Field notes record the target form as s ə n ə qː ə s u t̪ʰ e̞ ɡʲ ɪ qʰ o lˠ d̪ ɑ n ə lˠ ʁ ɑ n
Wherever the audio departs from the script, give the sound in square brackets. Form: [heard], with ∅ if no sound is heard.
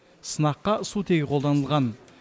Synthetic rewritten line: s ə n [ɑ] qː [ɑ] s u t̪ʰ e̞ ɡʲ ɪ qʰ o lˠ d̪ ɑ n ə lˠ ʁ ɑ n